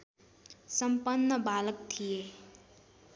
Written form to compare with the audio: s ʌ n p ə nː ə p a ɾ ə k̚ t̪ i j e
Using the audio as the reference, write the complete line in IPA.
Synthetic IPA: s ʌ m p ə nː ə b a l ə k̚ t̪ʰ i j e